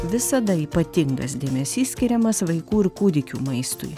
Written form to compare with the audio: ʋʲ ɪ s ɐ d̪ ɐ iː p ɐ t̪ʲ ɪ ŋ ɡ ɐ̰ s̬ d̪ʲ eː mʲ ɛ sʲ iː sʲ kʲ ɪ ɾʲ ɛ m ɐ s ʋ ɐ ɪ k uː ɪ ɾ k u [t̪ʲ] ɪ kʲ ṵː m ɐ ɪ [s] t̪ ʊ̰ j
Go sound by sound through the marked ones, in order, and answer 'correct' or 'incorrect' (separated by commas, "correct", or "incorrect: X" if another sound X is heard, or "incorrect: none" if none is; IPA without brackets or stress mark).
incorrect: d̪ʲ, correct